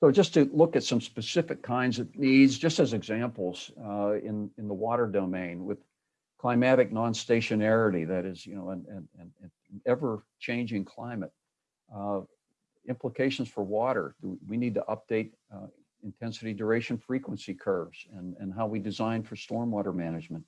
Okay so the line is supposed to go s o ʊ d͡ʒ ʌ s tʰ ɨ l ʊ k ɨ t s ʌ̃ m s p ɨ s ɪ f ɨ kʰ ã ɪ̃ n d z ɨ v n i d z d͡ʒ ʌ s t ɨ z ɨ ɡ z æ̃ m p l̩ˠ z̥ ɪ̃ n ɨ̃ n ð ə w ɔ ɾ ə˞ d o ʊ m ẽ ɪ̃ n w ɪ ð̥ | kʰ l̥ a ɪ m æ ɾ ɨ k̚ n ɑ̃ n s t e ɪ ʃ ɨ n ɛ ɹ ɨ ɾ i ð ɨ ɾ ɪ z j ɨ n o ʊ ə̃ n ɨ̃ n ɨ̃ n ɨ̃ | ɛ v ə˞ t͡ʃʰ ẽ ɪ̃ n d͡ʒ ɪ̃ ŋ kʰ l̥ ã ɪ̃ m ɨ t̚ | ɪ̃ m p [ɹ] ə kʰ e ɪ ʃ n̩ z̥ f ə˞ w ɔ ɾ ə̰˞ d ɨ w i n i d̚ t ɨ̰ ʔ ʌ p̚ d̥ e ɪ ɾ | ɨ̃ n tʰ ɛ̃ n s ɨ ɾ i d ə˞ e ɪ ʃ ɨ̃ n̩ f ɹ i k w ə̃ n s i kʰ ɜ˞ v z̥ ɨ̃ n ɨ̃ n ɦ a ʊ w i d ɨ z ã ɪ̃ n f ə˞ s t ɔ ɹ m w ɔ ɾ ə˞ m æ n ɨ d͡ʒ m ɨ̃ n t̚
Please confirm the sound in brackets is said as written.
no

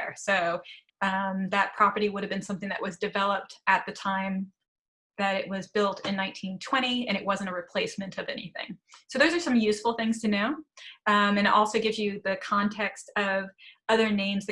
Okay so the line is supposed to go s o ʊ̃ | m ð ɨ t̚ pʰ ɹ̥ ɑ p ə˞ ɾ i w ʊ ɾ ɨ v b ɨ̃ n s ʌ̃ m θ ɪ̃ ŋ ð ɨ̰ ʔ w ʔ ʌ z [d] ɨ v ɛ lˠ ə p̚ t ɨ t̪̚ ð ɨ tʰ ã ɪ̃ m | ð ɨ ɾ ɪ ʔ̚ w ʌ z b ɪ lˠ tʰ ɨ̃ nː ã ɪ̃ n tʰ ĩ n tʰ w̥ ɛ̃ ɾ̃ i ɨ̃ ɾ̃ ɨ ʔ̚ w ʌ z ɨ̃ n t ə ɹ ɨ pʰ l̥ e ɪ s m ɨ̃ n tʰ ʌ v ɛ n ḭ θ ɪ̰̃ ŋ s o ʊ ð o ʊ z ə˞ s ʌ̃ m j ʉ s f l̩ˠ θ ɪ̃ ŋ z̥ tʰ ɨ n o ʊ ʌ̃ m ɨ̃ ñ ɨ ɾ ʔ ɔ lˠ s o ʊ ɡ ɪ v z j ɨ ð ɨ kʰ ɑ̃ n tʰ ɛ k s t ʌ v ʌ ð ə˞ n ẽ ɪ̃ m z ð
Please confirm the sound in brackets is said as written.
yes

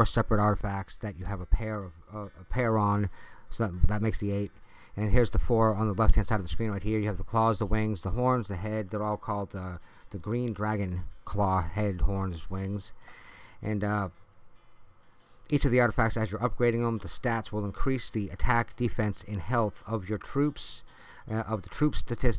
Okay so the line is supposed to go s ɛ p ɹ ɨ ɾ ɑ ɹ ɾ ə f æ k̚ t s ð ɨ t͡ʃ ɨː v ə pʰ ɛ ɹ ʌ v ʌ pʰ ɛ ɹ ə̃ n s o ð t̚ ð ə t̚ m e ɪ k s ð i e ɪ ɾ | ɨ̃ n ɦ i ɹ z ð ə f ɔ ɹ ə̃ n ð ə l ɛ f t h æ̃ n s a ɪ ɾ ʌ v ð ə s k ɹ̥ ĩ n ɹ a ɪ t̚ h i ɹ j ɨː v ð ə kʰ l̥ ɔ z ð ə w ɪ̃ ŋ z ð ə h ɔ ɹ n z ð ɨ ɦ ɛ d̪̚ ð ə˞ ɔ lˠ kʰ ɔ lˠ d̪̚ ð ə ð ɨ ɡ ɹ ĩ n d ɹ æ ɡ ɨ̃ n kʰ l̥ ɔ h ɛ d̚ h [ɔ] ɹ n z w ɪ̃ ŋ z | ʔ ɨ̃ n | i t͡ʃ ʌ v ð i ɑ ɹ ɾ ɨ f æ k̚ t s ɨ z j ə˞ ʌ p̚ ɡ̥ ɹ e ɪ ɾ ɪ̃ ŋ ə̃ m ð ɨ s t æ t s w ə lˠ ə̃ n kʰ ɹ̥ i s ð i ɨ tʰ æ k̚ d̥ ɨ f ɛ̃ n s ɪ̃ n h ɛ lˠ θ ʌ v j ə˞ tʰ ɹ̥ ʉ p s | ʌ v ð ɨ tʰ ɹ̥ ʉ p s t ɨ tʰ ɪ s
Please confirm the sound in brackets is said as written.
yes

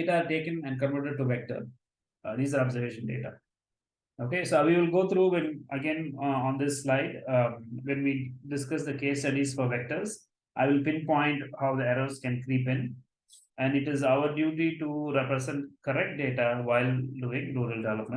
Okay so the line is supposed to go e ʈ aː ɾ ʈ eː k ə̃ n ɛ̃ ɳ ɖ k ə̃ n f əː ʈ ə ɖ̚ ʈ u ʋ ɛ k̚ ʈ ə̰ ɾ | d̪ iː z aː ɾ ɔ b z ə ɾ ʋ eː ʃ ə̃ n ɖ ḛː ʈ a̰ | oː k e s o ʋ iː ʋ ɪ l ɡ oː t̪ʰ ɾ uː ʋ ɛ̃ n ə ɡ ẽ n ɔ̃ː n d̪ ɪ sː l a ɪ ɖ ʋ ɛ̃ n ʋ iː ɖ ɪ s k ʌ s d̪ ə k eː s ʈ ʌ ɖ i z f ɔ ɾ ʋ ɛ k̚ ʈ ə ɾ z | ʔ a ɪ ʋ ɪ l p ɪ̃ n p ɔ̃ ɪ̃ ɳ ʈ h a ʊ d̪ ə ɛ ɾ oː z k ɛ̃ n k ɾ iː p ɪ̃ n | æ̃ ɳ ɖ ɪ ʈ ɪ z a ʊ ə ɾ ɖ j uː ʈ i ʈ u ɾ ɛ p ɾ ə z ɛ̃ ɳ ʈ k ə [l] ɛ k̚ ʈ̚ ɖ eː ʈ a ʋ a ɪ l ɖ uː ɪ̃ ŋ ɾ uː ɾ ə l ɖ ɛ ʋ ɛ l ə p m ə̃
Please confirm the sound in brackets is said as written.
no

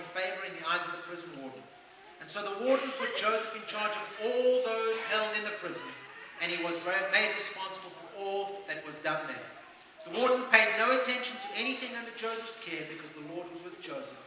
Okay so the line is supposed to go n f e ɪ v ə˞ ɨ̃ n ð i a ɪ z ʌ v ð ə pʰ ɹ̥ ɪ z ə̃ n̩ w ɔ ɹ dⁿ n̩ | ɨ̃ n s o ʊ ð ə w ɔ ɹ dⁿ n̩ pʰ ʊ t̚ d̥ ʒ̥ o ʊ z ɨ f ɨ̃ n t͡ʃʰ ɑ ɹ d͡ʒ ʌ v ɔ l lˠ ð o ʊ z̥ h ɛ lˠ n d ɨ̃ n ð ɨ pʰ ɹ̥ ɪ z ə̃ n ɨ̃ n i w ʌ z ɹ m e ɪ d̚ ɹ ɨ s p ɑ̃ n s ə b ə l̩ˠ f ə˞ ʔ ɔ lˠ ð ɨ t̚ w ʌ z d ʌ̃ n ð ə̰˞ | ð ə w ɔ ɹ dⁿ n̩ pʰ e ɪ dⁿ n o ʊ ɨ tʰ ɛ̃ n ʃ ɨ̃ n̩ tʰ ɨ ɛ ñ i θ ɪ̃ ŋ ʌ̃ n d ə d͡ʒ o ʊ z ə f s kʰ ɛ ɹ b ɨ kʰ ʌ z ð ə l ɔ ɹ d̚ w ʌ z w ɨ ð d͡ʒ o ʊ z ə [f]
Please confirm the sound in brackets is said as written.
yes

